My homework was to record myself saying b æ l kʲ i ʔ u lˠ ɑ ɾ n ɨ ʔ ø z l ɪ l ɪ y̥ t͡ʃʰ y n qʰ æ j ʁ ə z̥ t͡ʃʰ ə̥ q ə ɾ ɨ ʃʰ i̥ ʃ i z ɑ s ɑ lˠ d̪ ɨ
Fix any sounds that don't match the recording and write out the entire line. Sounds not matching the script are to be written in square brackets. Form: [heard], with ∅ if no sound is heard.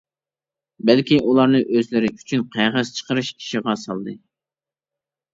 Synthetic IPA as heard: b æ l kʲ i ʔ u lˠ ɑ ɾ n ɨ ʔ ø z l ɪ [ɾ] ɪ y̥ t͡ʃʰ y n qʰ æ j ʁ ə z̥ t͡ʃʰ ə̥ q ə ɾ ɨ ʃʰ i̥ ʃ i [ʁ] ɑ s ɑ lˠ d̪ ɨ